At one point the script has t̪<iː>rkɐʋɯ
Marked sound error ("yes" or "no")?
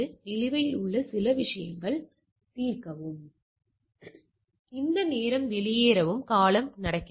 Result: no